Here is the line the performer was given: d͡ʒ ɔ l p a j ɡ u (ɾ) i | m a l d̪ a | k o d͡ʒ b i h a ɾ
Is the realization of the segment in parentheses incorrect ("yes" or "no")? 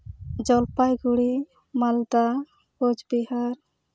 yes